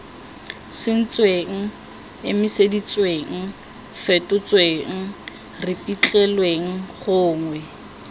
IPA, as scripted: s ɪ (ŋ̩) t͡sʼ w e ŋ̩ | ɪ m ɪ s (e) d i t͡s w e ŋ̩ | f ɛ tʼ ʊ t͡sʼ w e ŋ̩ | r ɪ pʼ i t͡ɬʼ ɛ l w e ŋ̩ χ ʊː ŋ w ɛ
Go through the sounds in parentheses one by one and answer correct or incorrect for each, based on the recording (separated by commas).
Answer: incorrect, correct